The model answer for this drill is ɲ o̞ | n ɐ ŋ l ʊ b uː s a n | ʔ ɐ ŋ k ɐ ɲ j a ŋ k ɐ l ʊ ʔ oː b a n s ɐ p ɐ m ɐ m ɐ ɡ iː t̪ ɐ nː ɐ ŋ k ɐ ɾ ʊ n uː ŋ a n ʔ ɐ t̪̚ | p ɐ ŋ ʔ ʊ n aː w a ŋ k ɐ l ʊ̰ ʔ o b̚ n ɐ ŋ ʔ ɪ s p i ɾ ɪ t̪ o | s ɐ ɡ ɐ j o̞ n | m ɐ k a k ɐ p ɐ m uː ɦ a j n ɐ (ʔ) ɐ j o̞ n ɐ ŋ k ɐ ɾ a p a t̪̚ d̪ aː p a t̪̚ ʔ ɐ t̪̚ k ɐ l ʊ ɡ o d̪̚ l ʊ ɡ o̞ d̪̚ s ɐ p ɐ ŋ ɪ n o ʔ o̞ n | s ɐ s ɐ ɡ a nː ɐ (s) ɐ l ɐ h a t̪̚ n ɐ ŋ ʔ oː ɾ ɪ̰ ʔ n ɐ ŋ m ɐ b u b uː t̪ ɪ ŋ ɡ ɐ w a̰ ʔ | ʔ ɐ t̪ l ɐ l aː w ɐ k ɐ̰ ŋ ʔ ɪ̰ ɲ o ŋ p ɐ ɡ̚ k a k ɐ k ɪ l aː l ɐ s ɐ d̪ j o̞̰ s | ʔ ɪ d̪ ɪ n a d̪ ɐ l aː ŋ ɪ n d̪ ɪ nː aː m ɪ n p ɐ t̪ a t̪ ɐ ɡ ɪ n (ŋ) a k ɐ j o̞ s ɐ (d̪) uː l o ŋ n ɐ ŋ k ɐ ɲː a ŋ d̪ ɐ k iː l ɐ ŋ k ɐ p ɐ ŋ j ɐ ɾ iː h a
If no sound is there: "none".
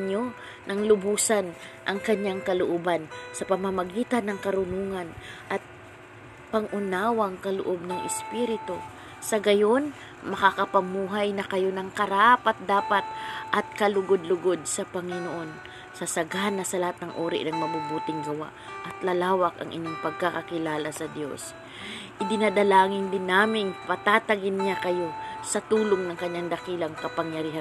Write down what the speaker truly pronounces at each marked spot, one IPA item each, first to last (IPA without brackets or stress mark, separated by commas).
k, s, ɲ, t̪